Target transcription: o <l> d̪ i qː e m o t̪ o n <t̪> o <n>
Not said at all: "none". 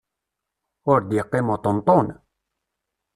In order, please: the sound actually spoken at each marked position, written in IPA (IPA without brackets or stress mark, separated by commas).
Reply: ɾ, t̪, n